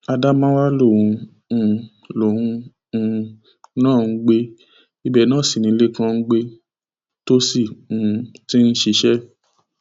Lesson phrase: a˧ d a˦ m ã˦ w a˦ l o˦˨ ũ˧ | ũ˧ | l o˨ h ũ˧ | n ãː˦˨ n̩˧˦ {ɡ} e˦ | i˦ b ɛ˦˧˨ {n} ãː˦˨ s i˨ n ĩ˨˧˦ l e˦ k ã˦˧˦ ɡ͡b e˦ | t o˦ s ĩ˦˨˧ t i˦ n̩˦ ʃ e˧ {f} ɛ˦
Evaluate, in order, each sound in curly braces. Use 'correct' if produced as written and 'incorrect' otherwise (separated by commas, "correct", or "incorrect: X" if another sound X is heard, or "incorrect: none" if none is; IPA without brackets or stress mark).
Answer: incorrect: ɡ͡b, correct, incorrect: ʃ